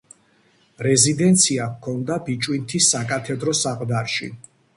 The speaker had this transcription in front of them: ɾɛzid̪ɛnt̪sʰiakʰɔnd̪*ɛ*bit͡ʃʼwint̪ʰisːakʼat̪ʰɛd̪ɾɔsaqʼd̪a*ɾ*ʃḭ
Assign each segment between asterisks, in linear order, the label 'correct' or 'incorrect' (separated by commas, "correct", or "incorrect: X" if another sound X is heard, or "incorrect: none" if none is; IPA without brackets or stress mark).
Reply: incorrect: a, correct